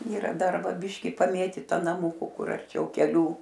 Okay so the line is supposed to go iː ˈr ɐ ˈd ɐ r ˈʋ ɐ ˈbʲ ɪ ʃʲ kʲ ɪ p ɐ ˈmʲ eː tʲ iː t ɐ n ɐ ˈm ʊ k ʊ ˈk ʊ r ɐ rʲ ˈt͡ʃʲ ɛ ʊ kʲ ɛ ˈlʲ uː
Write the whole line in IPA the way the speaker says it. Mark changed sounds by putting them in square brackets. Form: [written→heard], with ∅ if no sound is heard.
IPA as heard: iː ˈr ɐ ˈd ɐ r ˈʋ ɐ ˈbʲ ɪ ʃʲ kʲ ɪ p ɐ ˈmʲ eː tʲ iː t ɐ n ɐ ˈm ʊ k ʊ ˈk ʊ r ɐ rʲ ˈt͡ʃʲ ɛ ʊ kʲ ɛ ˈlʲ uː